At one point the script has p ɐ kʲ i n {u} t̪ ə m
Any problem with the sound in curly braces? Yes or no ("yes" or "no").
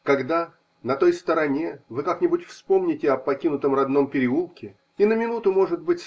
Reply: yes